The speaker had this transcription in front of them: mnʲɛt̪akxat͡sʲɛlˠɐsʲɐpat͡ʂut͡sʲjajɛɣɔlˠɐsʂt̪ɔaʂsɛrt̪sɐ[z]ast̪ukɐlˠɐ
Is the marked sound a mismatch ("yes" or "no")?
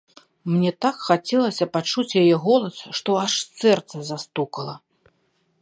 no